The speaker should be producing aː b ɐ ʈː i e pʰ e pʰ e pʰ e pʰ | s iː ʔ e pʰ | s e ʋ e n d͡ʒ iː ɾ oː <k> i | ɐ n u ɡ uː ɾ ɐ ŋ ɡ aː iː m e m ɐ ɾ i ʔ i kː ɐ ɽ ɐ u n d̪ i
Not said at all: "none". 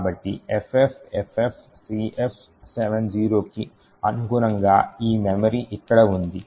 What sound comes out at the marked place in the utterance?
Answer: k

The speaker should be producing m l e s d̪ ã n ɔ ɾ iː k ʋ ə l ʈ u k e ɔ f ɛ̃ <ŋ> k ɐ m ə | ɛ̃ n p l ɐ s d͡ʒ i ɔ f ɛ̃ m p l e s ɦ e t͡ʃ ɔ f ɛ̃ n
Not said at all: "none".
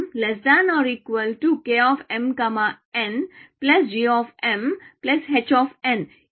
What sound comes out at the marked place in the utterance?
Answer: m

